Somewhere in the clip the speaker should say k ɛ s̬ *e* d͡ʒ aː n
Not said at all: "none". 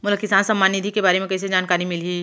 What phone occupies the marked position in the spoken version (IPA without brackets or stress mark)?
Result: e